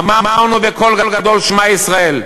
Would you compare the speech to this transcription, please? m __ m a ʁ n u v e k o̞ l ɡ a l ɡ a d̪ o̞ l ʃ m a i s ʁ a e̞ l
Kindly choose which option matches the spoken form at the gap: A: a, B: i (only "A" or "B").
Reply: A